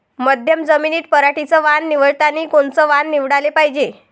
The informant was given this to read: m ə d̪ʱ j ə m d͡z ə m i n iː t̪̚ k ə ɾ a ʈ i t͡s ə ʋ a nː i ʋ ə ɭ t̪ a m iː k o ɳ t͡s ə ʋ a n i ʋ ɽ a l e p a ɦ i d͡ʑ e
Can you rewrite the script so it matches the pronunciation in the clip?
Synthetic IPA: m ə d̪ʱ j ə m d͡z ə m i n iː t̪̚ p ə ɾ a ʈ i t͡s ə ʋ a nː i ʋ ə ɭ t̪ a n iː k o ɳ t͡s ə ʋ a nː i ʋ ɽ a l e p a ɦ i d͡ʑ e